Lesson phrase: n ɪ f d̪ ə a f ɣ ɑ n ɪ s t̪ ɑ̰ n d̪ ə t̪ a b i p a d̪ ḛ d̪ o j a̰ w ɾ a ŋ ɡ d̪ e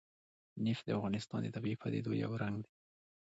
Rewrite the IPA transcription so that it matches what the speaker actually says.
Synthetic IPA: n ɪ f d̪ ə a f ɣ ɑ n ɪ s t̪ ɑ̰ n d̪ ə t̪ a b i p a d̪ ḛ d̪ o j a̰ w ɾ a ŋ ɡ d̪ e